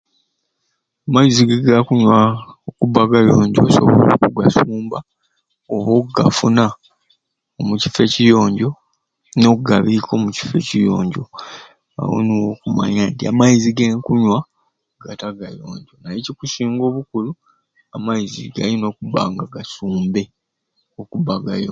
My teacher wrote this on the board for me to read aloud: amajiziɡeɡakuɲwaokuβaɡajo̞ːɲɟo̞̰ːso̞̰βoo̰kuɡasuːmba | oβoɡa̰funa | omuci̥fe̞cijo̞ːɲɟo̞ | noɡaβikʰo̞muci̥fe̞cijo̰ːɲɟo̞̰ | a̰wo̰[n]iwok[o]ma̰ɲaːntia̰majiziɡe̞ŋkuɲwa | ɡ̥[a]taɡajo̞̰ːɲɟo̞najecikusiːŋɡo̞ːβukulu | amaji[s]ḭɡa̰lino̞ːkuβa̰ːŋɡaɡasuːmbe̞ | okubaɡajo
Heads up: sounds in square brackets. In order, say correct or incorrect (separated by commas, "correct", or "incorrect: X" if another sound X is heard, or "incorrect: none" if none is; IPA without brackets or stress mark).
correct, incorrect: u, correct, incorrect: z